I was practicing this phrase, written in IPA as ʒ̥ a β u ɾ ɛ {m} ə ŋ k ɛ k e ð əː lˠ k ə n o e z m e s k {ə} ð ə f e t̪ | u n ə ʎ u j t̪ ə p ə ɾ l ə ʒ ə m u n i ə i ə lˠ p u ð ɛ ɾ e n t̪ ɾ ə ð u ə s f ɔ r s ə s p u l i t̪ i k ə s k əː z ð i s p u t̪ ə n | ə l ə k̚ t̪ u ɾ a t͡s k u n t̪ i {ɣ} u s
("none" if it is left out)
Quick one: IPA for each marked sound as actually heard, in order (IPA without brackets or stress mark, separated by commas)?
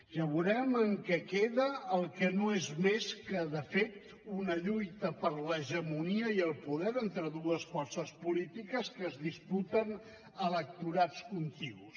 m, ə, ɣ